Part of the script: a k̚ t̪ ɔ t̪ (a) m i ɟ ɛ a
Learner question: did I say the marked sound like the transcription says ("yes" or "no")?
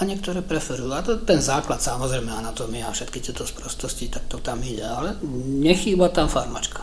yes